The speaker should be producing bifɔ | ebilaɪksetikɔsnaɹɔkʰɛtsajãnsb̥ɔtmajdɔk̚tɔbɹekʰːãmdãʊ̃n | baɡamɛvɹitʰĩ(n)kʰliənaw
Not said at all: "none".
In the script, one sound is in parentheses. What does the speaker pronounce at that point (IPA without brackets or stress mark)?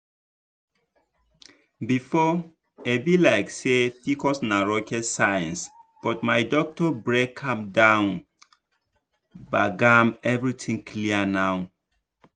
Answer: ŋ